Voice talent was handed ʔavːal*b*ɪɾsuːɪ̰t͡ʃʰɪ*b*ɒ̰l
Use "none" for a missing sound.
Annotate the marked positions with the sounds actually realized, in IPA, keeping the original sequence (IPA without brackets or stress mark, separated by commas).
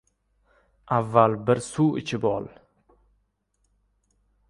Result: b, b